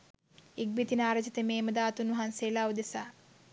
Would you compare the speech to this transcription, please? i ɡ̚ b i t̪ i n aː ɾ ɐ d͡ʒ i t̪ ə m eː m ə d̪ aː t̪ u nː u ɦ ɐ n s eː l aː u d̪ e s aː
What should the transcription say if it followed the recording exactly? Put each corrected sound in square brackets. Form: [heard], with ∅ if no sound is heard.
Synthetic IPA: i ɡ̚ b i t̪ i n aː ɾ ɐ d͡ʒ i t̪ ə m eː m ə d̪ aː t̪ u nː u ɦ [a] n s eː l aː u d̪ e s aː